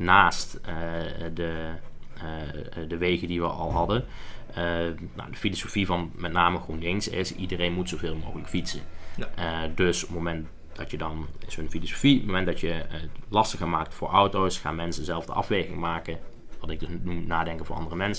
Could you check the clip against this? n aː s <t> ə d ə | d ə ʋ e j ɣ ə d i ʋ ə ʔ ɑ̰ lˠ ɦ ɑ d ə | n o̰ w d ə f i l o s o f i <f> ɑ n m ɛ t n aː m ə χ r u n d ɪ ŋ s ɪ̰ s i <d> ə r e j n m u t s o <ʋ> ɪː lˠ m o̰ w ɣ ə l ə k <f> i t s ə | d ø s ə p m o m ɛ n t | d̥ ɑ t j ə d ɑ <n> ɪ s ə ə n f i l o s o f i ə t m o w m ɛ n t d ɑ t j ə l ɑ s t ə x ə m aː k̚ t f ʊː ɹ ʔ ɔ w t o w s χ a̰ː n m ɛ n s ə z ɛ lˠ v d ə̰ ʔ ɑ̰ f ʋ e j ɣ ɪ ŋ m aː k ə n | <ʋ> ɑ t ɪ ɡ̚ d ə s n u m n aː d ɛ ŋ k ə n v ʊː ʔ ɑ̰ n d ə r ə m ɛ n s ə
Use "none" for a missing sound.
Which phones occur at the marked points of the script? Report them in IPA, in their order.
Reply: t, v, d, v, f, n, ʋ

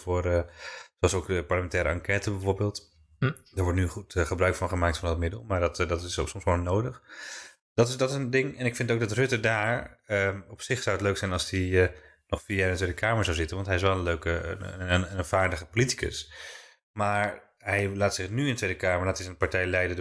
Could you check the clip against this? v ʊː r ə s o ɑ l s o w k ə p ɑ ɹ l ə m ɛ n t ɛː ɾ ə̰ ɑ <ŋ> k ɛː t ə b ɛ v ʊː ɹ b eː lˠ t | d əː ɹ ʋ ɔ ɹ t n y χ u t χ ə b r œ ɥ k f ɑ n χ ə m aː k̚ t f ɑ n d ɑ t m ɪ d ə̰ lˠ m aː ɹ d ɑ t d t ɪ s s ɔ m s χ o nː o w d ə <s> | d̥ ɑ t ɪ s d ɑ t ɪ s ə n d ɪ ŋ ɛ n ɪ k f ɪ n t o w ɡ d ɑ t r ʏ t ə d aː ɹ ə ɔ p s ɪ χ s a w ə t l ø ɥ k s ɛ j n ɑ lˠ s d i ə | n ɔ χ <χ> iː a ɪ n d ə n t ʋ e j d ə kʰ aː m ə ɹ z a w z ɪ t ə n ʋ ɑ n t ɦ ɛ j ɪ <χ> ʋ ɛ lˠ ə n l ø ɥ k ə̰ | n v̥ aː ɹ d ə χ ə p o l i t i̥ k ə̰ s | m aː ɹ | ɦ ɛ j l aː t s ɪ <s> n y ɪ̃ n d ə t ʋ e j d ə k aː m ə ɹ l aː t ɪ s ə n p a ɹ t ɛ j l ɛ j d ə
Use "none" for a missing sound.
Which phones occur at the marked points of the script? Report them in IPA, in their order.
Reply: ŋ, χ, f, s, χ

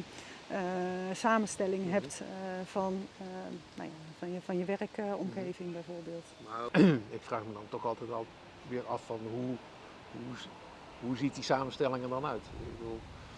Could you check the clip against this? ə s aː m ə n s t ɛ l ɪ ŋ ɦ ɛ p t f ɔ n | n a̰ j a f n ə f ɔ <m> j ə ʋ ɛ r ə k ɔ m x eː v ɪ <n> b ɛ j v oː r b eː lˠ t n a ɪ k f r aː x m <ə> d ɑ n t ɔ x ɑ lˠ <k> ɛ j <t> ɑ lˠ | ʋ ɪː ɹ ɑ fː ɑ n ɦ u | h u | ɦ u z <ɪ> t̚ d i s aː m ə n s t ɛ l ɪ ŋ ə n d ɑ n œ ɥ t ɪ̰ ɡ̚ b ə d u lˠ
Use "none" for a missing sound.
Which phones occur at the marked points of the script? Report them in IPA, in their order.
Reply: n, ŋ, ə, t, t, i

